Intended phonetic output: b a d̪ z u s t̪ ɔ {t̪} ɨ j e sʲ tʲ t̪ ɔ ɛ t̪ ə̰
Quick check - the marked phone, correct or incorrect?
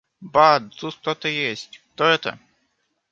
correct